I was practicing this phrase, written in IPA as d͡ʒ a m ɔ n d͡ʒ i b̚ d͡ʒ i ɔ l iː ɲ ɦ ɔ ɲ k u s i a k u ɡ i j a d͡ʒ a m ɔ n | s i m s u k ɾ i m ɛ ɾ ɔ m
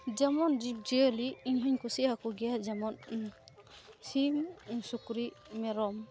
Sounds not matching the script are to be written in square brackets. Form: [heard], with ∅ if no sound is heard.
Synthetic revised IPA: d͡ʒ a m ɔ n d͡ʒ i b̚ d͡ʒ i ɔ l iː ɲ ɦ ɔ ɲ k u s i a k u ɡ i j a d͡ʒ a m ɔ n | s i m s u k ɾ i m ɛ ɾ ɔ m